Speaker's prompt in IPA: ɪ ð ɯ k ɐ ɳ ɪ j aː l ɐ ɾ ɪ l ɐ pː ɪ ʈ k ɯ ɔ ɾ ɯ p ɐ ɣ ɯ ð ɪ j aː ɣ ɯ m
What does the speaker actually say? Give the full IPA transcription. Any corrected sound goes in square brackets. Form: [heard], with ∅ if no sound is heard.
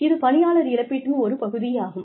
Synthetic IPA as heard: ɪ ð ɯ [p] ɐ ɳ ɪ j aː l ɐ ɾ ɪ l ɐ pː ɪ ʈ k ɯ ɔ ɾ ɯ p ɐ ɣ ɯ ð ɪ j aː ɣ ɯ m